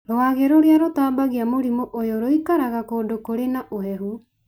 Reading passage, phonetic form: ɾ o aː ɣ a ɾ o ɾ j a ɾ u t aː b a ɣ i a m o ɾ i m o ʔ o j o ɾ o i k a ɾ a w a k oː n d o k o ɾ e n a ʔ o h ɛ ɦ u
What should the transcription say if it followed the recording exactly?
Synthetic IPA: ɾ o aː ɣ e ɾ o ɾ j a ɾ o t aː b a ɣ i a m o ɾ i m o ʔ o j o ɾ o i k a ɾ a ɣ a k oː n d o k o ɾ e n a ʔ o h ɛ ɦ u